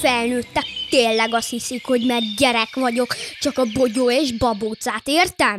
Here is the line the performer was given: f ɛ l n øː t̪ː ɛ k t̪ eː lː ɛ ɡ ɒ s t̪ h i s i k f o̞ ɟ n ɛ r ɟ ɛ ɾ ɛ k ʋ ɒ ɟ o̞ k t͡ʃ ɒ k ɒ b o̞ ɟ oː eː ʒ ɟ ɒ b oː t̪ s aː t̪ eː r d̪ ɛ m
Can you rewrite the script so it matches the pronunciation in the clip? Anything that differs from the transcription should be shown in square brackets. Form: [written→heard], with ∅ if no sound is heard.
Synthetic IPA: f ɛ l n øː t̪ː ɛ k t̪ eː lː ɛ ɡ ɒ s t̪ h i s i k [f→h] o̞ ɟ [n→m] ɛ r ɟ ɛ ɾ ɛ k ʋ ɒ ɟ o̞ k t͡ʃ ɒ k ɒ b o̞ ɟ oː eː ʒ [ɟ→b] ɒ b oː t̪ s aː t̪ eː r [d̪→t̪] ɛ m